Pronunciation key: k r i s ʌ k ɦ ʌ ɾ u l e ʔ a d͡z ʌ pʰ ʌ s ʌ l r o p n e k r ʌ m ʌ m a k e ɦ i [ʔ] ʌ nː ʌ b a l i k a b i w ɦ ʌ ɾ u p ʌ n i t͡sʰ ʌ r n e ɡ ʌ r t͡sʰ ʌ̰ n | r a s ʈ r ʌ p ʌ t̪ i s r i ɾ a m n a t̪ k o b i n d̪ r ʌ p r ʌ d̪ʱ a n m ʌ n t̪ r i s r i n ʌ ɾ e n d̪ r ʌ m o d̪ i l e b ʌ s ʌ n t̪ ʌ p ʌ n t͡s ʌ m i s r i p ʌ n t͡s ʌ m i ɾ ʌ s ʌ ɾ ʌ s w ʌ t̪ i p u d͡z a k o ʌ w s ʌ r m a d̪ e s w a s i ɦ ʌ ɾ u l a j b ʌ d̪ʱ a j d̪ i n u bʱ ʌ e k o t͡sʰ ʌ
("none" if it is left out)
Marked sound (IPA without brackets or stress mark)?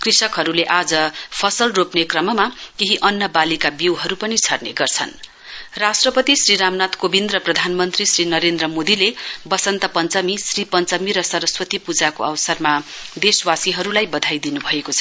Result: ʔ